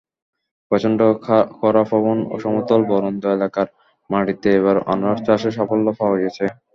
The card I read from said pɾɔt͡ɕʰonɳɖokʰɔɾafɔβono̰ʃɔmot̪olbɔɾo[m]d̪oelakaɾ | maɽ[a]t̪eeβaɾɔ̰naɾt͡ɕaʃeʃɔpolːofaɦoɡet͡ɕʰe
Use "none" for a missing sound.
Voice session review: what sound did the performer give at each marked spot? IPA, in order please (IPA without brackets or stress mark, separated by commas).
n, i